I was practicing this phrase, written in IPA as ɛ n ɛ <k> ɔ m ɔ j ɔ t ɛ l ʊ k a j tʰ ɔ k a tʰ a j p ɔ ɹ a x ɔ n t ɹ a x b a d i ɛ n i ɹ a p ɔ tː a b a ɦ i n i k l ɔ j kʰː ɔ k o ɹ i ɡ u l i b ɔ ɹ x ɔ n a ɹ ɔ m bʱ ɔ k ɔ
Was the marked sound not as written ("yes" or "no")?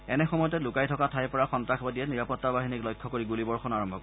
yes